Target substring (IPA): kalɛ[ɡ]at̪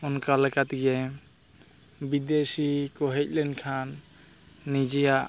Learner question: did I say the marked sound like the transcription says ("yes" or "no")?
no